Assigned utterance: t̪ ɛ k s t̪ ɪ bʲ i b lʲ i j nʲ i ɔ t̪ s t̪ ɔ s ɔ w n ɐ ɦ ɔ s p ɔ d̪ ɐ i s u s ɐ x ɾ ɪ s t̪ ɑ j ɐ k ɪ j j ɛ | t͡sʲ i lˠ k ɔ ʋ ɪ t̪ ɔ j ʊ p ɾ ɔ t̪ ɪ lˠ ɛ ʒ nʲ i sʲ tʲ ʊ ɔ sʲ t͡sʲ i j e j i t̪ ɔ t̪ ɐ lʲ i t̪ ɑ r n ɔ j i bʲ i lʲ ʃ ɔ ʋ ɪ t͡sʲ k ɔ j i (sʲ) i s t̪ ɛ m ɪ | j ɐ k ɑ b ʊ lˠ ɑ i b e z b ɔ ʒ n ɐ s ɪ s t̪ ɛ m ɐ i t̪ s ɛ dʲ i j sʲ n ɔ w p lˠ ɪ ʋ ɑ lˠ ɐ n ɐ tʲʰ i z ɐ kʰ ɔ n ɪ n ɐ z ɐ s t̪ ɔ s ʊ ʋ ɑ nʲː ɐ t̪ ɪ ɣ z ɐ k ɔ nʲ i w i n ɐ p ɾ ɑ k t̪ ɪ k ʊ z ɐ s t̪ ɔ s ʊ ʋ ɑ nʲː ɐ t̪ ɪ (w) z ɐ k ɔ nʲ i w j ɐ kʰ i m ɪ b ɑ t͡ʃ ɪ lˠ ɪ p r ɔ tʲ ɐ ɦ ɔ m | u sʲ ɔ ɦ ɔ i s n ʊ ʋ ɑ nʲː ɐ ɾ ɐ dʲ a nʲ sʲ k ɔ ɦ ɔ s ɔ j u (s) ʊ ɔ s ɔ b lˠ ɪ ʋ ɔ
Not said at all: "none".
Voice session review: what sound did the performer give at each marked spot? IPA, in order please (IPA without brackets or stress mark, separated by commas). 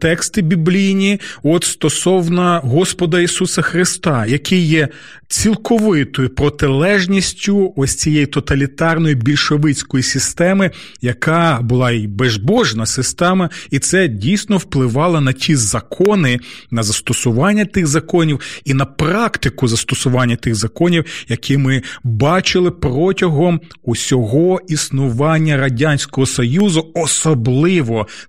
sʲ, ɣ, z